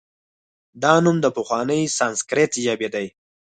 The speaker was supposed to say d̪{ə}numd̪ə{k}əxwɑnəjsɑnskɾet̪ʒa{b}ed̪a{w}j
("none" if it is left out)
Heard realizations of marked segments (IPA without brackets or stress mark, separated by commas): ɑ, p, b, none